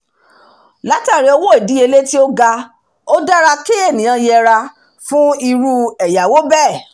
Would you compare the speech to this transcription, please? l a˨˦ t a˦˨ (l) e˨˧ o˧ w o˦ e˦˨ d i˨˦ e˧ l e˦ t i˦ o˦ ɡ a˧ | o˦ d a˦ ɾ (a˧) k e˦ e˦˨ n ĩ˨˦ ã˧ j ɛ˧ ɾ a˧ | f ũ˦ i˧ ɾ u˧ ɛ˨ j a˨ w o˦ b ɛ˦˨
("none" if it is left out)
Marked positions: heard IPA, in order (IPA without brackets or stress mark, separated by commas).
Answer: ɾ, a˧